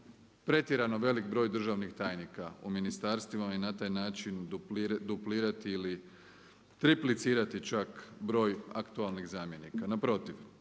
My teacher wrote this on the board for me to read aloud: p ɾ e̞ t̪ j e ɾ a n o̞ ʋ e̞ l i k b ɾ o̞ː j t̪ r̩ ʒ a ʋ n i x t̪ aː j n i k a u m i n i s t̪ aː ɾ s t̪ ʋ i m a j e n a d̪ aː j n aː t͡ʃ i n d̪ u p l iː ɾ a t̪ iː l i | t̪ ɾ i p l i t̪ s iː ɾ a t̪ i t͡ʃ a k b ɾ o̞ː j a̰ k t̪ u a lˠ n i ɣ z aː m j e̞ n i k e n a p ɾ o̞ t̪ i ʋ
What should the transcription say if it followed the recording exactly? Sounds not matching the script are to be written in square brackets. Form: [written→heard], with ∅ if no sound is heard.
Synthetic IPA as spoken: p ɾ e̞ t̪ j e ɾ a n o̞ ʋ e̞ l i k b ɾ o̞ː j [t̪→d̪] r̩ ʒ a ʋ n i x t̪ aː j n i k a u m i n i s t̪ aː ɾ s t̪ ʋ i m a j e n a [d̪→t̪] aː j n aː t͡ʃ i n d̪ u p l iː ɾ a t̪ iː l i | t̪ ɾ i p l i t̪ s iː ɾ a t̪ i t͡ʃ a k b ɾ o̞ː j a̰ k t̪ u a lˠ n i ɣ z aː m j e̞ n i k [e→a] n a p ɾ o̞ t̪ i ʋ